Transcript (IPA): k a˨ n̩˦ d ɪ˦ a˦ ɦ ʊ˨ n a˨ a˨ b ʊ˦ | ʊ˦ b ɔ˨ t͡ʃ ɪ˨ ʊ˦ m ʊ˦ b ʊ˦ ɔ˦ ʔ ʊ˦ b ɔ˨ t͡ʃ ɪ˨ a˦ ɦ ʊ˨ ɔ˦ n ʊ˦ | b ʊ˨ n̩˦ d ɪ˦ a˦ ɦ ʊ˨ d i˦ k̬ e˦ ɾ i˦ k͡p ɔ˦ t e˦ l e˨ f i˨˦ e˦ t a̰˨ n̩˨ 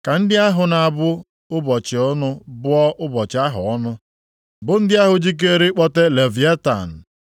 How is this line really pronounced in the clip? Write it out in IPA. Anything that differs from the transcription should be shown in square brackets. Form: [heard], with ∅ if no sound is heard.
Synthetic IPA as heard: k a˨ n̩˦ d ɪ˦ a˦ ɦ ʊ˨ n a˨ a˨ b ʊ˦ | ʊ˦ b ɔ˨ t͡ʃ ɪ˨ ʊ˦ [n] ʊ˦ b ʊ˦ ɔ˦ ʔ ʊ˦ b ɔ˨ t͡ʃ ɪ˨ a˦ ɦ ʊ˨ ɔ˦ n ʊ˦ | b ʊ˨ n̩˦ d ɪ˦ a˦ ɦ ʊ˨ [d͡ʒ] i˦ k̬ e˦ ɾ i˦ k͡p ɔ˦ t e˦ l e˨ [v] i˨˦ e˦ t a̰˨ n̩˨